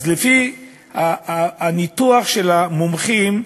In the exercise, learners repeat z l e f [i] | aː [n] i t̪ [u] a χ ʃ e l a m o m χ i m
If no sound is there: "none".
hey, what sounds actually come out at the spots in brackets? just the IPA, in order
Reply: i, n, u

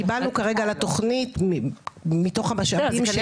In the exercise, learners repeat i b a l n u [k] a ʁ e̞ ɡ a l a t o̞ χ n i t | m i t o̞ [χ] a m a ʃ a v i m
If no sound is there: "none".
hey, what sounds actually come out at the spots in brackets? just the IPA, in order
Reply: k, χ

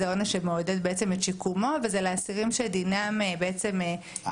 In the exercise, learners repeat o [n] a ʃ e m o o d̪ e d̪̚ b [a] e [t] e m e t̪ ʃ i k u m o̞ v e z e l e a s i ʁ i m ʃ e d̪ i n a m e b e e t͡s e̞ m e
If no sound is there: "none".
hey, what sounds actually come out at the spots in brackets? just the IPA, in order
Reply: n, e, t͡s

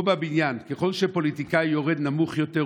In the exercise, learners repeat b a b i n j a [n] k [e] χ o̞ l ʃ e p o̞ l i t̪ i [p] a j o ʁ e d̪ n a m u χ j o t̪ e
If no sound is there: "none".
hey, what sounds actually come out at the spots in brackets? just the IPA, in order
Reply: n, e, k

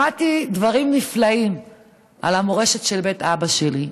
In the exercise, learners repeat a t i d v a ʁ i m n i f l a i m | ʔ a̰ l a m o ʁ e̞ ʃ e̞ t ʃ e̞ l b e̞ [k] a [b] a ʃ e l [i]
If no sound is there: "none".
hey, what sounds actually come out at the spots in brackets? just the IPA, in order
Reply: t, b, i

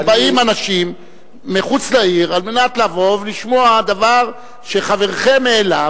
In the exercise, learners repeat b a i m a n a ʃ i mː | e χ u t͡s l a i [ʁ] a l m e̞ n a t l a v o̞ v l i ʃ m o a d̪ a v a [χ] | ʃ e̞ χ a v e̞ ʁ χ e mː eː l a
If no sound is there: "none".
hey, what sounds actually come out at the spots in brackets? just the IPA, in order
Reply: ʁ, ʁ

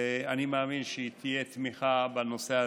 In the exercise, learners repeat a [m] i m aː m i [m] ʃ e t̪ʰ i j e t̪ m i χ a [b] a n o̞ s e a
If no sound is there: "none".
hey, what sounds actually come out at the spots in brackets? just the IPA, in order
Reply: n, n, b

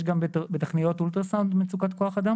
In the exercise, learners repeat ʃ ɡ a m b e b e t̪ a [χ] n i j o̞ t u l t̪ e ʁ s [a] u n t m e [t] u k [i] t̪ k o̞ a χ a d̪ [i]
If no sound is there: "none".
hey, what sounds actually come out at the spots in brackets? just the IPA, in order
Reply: χ, a, t͡s, a, a

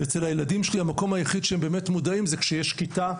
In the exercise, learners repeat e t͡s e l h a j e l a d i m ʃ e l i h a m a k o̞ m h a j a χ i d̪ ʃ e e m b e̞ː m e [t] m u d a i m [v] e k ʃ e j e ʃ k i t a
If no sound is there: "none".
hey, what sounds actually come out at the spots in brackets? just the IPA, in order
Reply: t, z

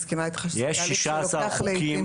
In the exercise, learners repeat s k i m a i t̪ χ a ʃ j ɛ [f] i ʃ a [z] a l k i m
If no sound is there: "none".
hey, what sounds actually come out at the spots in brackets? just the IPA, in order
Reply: ʃ, s

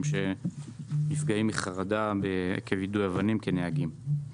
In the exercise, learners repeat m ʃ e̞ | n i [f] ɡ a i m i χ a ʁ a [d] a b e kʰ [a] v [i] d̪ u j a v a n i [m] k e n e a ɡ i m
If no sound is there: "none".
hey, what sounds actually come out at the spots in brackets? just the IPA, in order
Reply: f, d, e, i, m

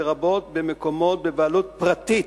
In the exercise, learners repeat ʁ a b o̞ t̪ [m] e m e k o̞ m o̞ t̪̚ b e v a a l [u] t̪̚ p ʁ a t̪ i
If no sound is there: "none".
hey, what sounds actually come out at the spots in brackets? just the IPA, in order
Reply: b, u

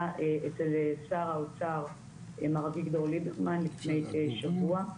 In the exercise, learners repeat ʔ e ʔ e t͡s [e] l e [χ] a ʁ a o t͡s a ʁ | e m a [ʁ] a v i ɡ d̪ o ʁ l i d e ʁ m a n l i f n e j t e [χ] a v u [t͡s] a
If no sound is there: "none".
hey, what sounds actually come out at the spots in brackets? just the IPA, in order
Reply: e, s, ʁ, ʃ, none

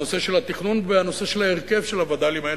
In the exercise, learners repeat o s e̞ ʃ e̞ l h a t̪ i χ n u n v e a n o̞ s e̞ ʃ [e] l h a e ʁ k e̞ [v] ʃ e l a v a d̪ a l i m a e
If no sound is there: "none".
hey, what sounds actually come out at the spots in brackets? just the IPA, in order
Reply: e, v

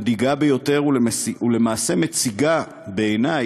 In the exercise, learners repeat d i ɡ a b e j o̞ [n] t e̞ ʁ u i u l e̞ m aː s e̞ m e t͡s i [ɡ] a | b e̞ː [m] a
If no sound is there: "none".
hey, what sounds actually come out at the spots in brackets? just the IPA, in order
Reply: none, ɡ, n

